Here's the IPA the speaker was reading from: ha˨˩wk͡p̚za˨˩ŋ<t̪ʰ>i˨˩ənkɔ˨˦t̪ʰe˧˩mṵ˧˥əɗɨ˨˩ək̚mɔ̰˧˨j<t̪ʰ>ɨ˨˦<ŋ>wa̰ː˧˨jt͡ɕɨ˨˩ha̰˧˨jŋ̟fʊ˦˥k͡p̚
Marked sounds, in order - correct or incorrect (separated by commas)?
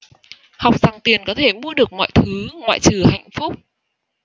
incorrect, correct, correct